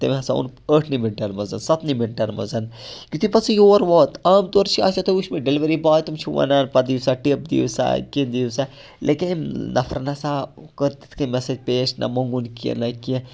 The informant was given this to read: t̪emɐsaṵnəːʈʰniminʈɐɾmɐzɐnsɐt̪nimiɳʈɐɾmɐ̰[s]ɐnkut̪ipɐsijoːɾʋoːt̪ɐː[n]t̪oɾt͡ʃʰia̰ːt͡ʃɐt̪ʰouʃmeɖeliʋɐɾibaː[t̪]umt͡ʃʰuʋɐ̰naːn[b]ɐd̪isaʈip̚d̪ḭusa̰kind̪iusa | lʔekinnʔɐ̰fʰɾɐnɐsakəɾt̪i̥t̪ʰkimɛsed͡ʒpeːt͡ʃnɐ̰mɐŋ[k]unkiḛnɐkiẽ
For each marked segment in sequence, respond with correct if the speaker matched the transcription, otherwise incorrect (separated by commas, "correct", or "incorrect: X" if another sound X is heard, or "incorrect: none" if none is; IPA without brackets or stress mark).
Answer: incorrect: z, incorrect: m, correct, incorrect: p, incorrect: ɡ